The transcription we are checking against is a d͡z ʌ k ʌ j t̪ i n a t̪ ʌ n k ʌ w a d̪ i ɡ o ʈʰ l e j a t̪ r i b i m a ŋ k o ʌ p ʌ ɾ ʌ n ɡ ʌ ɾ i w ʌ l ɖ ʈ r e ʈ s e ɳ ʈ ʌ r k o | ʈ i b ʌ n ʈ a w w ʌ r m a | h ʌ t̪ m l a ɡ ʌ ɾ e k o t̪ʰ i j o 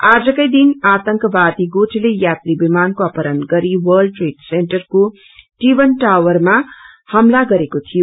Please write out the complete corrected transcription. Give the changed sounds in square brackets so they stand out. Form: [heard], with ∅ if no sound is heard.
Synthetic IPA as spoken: a d͡z ʌ k ʌ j [d̪] i n a t̪ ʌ [ŋ] k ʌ [b] a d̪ i ɡ o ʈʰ l e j a t̪ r i b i m a [n] k o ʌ p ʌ ɾ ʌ n ɡ ʌ ɾ i w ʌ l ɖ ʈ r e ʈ s e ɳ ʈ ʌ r k o | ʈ i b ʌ n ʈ a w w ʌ r m a | h ʌ [∅] m l a ɡ ʌ ɾ e k o t̪ʰ i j o